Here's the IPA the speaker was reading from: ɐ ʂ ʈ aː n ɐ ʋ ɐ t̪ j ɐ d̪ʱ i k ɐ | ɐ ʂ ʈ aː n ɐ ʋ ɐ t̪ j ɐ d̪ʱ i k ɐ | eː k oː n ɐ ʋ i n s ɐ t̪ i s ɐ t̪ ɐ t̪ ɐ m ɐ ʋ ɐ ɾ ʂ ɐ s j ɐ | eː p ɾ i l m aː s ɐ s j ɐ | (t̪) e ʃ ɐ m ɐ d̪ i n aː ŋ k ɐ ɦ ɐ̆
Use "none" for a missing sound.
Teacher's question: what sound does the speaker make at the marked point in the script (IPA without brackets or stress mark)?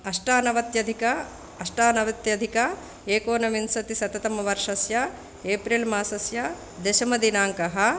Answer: d̪